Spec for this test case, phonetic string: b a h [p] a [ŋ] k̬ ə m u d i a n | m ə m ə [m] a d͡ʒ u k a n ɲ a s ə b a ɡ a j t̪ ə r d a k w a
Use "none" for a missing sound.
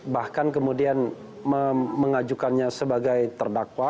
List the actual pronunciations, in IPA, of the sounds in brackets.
k, n, ŋ

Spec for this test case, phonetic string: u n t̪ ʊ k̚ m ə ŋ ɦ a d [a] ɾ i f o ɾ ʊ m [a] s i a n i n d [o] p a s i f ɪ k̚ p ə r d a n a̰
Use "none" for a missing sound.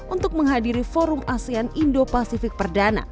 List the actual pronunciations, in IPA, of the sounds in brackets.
i, a, o

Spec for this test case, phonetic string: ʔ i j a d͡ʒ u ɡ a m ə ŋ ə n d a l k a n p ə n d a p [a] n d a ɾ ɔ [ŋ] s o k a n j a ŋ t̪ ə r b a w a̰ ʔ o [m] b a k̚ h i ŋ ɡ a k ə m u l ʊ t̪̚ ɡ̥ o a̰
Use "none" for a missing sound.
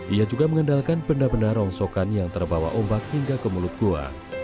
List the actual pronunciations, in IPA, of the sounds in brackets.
ə, ŋ, m

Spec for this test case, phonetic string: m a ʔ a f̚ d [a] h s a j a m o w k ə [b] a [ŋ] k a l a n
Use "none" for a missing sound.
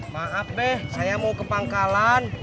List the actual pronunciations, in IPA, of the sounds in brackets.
ɛ, p, ŋ

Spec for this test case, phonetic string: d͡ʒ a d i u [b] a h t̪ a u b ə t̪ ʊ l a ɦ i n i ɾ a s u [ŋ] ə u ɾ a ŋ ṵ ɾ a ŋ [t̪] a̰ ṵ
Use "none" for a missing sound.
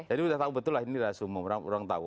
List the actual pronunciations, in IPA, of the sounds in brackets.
d, m, t̪

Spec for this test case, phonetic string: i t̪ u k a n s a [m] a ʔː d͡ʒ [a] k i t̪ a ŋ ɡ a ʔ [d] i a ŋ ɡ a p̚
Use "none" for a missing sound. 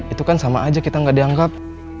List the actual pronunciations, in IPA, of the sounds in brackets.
m, a, d

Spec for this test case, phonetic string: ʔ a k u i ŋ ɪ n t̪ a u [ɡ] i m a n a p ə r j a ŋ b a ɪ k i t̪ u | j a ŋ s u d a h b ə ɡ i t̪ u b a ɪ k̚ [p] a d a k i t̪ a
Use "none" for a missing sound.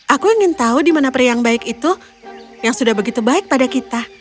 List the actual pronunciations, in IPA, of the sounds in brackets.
d, p

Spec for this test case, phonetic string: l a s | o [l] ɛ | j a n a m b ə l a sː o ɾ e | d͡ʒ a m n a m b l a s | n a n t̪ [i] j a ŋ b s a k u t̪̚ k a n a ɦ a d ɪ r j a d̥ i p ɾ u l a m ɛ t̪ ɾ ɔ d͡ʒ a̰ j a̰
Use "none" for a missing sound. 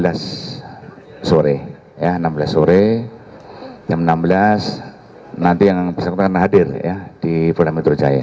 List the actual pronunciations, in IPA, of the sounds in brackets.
ɾ, i

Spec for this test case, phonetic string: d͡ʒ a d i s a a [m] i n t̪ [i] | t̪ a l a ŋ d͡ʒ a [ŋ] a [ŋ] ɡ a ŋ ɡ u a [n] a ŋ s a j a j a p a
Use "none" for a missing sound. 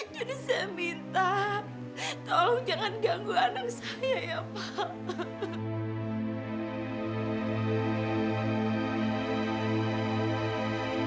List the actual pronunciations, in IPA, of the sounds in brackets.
m, a, ŋ, n, n

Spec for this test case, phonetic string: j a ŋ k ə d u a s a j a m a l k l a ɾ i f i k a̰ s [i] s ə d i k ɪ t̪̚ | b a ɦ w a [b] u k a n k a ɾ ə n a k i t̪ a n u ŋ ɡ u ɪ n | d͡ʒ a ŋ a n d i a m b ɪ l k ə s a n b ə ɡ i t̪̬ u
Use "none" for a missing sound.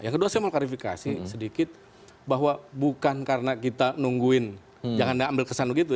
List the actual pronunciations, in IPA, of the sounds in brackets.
i, b

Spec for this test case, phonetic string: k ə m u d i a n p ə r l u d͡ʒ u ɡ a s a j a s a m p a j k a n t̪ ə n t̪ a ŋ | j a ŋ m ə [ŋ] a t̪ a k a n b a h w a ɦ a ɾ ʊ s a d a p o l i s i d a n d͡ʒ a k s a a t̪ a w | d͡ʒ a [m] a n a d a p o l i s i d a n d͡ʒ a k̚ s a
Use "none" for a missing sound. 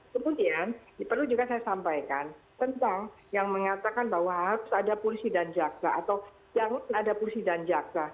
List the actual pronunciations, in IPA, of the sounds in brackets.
ŋ, ŋ

